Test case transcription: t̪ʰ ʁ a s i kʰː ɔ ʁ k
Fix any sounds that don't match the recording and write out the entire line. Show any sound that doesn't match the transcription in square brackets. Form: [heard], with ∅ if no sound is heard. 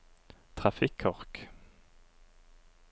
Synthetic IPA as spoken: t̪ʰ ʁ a [f] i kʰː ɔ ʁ k